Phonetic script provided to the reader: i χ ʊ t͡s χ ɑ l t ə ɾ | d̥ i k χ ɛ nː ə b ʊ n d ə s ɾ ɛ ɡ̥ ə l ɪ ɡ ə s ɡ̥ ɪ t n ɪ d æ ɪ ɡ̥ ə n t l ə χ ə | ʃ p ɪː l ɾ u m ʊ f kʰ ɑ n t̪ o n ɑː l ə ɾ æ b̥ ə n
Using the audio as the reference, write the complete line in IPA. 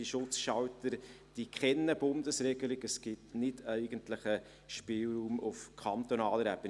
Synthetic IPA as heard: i ʃ ʊ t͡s ʃ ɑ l t ə ɾ | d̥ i k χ ɛ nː ə b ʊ n d ə s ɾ ɛ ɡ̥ ə l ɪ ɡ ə s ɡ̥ ɪ t n ɪ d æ ɪ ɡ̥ ə n t l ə χ ə | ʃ p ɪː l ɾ uː m ʊ f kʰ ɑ n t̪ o n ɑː l ə ɾ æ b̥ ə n